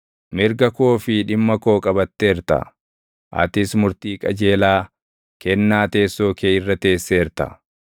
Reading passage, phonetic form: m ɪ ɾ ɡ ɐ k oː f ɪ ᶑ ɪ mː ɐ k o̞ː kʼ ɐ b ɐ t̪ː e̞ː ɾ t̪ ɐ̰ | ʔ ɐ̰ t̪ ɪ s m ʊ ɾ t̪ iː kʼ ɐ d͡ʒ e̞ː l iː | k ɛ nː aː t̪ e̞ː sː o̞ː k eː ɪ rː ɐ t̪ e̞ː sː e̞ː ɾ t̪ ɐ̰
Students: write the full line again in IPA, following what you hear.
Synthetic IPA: m ɪ ɾ ɡ ɐ k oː f ɪ ᶑ ɪ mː ɐ k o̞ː kʼ ɐ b ɐ t̪ː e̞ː ɾ t̪ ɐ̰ | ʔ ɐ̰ t̪ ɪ s m ʊ ɾ t̪ iː kʼ ɐ d͡ʒ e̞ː l aː | k ɛ nː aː t̪ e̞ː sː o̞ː k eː ɪ rː ɐ t̪ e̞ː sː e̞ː ɾ t̪ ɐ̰

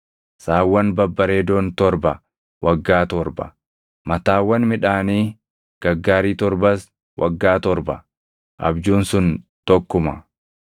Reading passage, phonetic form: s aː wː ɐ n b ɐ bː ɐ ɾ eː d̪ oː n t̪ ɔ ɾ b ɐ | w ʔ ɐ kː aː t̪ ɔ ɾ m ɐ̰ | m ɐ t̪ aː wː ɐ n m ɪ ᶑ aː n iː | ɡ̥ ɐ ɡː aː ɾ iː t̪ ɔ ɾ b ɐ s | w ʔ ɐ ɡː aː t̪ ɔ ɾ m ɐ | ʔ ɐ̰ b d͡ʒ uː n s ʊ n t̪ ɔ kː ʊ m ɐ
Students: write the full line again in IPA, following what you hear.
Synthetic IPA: s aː wː ɐ n b ɐ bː ɐ ɾ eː d̪ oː n t̪ ɔ ɾ b ɐ | w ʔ ɐ ɡː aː t̪ ɔ ɾ b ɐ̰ | m ɐ t̪ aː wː ɐ n m ɪ ᶑ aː n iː | ɡ̥ ɐ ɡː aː ɾ iː t̪ ɔ ɾ b ɐ s | w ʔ ɐ ɡː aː t̪ ɔ ɾ b ɐ | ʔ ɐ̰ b d͡ʒ uː n s ʊ n t̪ ɔ kː ʊ m ɐ

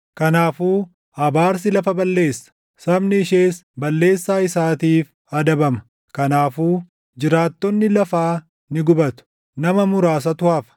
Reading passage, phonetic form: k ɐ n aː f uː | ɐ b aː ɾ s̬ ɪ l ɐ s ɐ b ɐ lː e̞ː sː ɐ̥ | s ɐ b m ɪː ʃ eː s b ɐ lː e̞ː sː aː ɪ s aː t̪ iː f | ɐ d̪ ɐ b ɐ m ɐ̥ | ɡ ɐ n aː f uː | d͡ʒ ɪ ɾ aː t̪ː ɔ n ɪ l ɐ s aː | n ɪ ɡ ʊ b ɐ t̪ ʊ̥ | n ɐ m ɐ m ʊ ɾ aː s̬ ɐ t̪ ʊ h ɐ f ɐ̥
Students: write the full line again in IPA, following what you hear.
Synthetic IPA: k ɐ n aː f uː | ɐ b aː ɾ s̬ ɪ l ɐ f ɐ b ɐ lː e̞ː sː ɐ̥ | s ɐ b n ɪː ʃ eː s b ɐ lː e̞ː sː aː ɪ s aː t̪ iː f | ɐ d̪ ɐ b ɐ m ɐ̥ | k ɐ n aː f uː | d͡ʒ ɪ ɾ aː t̪ː ɔ nː ɪ l ɐ f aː | n ɪ ɡ ʊ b ɐ t̪ ʊ̥ | n ɐ m ɐ m ʊ ɾ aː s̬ ɐ t̪ ʊ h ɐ f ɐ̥

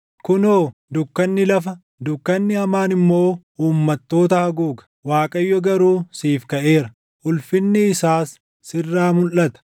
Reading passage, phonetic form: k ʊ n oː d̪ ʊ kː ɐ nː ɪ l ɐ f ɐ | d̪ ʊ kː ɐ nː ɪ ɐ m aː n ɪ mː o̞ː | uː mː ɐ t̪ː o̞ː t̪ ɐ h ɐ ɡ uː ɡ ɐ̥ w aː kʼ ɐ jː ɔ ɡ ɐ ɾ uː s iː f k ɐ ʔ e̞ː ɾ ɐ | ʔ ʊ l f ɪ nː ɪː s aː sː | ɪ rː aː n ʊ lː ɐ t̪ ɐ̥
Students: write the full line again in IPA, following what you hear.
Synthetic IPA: k ʊ n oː d̪ ʊ kː ɐ nː ɪ l ɐ f ɐ | d̪ ʊ kː ɐ nː ɪ ɐ m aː n ɪ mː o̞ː | uː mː ɐ t̪ː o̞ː t̪ ɐ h ɐ ɡ uː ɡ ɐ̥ w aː kʼ ɐ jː ɔ ɡ ɐ ɾ uː s iː f k ɐ ʔ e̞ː ɾ ɐ | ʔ ʊ l f ɪ nː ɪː s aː sː | ɪ rː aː m ʊ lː ɐ t̪ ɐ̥

